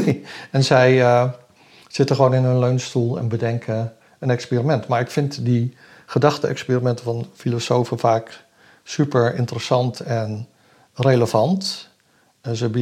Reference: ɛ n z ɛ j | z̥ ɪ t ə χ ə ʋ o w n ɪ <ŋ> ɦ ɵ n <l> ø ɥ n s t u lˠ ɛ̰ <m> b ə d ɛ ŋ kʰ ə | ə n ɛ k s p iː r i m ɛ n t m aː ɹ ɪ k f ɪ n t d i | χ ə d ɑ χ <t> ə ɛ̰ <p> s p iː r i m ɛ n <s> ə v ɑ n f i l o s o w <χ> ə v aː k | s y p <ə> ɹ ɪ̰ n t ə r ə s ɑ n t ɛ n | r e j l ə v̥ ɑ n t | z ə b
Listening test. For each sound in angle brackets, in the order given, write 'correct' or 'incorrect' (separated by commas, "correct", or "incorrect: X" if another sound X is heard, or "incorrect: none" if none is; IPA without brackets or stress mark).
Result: incorrect: n, correct, incorrect: n, correct, incorrect: k, incorrect: t, incorrect: f, correct